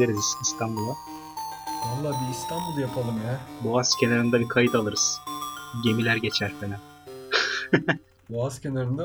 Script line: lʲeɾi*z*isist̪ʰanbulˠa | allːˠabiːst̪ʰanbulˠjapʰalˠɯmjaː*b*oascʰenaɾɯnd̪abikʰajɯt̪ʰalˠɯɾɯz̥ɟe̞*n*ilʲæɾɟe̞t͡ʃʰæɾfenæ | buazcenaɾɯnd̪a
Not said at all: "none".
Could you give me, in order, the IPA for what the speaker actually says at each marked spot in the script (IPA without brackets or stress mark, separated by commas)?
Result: z, b, m